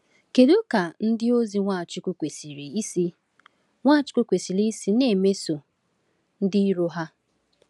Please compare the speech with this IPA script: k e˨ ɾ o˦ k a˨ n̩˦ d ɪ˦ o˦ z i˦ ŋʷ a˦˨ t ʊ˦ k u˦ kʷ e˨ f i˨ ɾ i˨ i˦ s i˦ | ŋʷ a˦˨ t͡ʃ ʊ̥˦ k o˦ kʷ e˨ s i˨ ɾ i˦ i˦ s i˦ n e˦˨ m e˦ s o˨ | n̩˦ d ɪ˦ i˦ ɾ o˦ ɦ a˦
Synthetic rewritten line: k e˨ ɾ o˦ k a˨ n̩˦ d ɪ˦ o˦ z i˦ ŋʷ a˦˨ t͡ʃ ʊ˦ k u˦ kʷ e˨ s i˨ ɾ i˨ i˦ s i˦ | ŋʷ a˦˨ t͡ʃ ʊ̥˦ k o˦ kʷ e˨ s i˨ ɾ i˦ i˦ s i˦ n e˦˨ m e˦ s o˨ | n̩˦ d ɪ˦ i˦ ɾ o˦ ɦ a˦